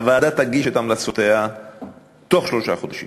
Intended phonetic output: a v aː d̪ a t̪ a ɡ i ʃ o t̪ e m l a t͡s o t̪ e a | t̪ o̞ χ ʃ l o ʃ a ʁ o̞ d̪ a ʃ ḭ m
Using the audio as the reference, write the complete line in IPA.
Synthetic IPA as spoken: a v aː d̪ a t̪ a ɡ i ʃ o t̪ a m l a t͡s o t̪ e a | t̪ o̞ χ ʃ l o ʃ a χ o̞ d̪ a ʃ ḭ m